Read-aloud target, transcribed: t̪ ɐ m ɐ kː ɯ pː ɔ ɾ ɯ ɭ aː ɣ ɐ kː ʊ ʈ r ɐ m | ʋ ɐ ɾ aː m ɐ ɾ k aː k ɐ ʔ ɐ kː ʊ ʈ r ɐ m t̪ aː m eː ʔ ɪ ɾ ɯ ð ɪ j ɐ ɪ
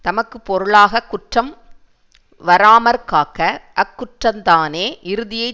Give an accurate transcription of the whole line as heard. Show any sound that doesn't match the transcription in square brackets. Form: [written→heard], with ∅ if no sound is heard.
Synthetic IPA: t̪ ɐ m ɐ kː ɯ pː ɔ ɾ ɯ ɭ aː ɣ ɐ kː ʊ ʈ r ɐ m | ʋ ɐ ɾ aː m ɐ ɾ k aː k ɐ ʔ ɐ kː ʊ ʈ r ɐ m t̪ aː [m→n] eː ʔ ɪ ɾ ɯ ð ɪ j ɐ ɪ